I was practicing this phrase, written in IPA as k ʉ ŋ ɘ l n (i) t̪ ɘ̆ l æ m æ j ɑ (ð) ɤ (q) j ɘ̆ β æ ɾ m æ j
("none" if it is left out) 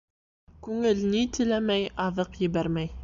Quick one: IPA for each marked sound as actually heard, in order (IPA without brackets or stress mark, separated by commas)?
i, ð, q